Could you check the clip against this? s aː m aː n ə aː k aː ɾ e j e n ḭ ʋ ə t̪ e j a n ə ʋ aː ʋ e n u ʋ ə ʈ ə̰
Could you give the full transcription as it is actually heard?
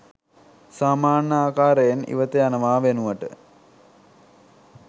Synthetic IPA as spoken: s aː m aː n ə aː k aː ɾ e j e n ḭ ʋ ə t̪ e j a n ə ʋ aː ʋ e n u ʋ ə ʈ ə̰